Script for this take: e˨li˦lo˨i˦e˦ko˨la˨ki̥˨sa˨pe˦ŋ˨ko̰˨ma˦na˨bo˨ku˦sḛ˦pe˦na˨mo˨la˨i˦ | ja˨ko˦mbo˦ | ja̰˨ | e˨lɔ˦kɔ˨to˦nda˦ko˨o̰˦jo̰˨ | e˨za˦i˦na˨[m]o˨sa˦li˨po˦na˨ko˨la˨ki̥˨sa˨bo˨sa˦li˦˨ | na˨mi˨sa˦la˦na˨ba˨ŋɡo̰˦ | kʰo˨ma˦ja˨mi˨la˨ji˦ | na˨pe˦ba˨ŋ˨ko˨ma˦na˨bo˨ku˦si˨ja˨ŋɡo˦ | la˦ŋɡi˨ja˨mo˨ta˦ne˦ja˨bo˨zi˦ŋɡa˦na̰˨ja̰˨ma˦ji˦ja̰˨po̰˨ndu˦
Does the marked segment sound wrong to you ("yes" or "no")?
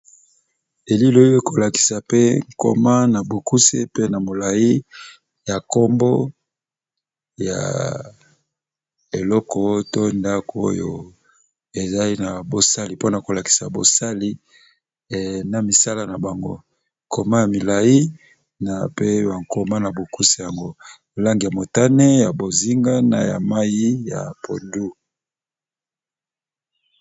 yes